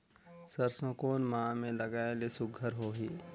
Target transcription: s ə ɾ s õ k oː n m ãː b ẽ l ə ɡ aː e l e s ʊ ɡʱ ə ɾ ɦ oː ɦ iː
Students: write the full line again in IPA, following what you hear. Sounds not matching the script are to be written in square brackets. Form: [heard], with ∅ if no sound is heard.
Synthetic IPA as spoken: s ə ɾ s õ k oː n m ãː [m] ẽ l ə ɡ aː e l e s ʊ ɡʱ ə ɾ ɦ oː ɦ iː